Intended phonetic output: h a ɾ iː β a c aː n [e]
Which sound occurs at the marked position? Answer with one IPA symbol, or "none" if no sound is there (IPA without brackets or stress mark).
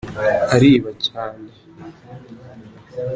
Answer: e